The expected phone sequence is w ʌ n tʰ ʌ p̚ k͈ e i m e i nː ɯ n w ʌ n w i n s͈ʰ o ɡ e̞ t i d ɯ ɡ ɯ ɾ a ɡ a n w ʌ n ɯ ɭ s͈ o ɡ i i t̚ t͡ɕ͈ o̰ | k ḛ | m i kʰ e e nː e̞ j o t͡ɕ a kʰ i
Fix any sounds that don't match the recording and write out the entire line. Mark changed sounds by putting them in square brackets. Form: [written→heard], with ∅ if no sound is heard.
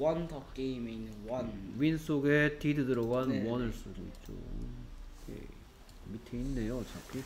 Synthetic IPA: w ʌ n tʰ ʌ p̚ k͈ e i m e i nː ɯ n w ʌ n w i n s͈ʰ o ɡ e̞ t i d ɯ [ɡ→d] ɯ ɾ [a→ʌ] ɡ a n w ʌ n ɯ ɭ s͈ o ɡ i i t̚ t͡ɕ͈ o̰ | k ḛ | m i [kʰ→tʰ] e [e→i] nː e̞ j o t͡ɕ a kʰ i